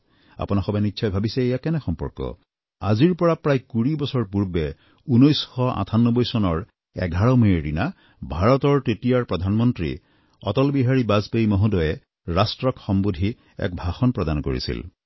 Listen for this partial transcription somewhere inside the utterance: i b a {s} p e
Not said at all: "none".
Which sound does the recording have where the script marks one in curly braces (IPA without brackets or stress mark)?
z